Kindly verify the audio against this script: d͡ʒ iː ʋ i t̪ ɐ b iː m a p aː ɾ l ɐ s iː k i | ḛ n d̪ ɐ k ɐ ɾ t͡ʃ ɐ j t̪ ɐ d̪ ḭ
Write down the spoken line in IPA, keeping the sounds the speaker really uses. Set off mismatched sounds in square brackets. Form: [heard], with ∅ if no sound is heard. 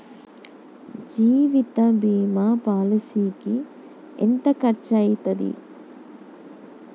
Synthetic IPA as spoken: d͡ʒ iː ʋ i t̪ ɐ b iː m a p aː [∅] l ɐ s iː k i | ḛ n [t̪] ɐ k ɐ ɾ t͡ʃ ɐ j t̪ ɐ d̪ ḭ